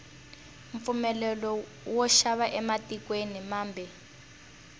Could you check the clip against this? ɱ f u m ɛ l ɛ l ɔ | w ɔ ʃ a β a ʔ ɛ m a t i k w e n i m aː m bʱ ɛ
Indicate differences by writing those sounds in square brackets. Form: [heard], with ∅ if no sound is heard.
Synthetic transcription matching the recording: ɱ f u m ɛ l ɛ l ɔ | w ɔ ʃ a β a ʔ ɛ m a t i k w e n i m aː m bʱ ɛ